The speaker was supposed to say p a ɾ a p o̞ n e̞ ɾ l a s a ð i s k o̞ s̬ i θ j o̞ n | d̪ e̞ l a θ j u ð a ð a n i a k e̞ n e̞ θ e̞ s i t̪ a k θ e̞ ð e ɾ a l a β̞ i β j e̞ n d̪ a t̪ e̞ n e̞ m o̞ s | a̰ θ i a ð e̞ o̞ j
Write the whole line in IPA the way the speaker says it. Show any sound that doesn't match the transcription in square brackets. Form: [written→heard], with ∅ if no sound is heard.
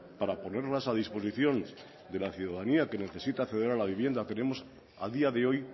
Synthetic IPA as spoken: p a ɾ a p o̞ n e̞ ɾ l a s a ð i s [k→p] o̞ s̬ i θ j o̞ n | d̪ e̞ l a θ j u ð a ð a n i a k e̞ n e̞ θ e̞ s i t̪ a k θ e̞ ð e ɾ a l a β̞ i β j e̞ n d̪ a t̪ e̞ n e̞ m o̞ s | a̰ [θ→ð] i a ð e̞ o̞ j